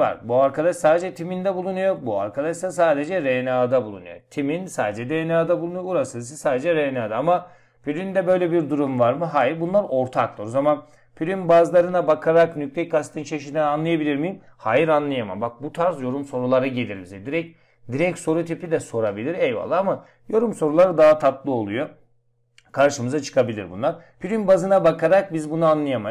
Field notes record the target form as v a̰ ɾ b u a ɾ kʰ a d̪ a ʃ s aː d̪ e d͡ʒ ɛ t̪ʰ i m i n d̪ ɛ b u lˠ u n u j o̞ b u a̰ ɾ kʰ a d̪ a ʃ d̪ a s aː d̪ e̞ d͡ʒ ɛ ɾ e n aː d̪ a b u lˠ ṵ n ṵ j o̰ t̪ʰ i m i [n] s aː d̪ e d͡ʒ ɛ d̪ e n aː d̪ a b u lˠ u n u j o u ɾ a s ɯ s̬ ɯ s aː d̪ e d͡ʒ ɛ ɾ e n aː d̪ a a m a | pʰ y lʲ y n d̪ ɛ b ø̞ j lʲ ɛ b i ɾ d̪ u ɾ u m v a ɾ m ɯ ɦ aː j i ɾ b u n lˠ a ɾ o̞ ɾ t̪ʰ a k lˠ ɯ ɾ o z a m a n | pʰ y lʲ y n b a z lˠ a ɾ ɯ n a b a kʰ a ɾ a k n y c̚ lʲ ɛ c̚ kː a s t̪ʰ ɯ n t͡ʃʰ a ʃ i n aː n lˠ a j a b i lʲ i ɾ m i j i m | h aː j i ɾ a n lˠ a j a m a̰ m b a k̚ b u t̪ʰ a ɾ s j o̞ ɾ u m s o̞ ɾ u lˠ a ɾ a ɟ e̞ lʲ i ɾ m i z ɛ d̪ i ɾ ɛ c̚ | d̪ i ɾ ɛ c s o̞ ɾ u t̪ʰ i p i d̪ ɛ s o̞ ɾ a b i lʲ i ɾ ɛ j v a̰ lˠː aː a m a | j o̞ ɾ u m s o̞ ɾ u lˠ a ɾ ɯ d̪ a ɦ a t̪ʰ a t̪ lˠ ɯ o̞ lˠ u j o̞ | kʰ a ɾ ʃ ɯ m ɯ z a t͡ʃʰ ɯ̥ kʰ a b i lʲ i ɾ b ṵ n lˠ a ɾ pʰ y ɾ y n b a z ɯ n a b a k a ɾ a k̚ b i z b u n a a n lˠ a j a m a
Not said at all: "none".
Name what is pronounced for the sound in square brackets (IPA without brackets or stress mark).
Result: n